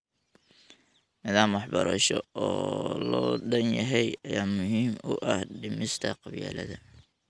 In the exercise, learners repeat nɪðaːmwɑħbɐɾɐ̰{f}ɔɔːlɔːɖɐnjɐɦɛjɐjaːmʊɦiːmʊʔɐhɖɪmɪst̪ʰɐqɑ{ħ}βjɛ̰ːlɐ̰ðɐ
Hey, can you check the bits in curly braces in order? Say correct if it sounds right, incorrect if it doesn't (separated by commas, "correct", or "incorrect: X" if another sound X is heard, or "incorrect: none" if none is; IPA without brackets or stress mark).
incorrect: ʃ, incorrect: none